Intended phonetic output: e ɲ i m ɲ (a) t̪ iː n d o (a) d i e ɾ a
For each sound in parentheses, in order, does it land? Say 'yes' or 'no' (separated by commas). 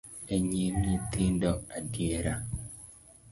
no, yes